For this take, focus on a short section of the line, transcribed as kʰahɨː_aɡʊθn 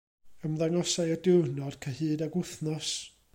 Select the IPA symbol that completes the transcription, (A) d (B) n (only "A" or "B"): A